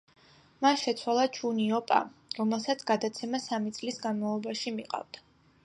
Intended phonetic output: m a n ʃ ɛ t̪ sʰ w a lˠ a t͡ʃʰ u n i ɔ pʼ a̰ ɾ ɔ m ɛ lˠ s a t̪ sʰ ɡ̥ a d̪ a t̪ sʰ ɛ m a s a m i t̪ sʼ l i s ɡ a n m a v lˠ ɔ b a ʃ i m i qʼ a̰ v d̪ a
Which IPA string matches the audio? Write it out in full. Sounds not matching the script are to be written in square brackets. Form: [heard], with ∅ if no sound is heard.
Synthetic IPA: m a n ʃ ɛ t̪ sʰ w a lˠ a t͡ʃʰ u n i ɔ pʼ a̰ ɾ ɔ m ɛ lˠ s a t̪ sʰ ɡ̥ a d̪ a t̪ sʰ ɛ m a s a m i t̪ sʼ l i s ɡ a n m a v lˠ ɔ b a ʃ i m i qʼ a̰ v d̪ a